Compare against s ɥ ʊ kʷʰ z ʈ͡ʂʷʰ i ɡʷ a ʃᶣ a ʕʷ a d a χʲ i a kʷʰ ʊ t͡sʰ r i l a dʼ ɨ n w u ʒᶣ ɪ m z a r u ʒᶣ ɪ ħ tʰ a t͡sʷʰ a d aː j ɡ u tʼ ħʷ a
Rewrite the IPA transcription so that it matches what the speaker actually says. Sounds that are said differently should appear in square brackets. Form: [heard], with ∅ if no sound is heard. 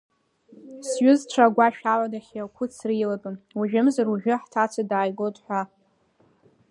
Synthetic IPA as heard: s ɥ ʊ [∅] z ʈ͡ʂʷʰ [a] ɡʷ a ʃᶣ a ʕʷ a d a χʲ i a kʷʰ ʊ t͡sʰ r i l a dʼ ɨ n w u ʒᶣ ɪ m z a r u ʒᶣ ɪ ħ tʰ a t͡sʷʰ a d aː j ɡ [o] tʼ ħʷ a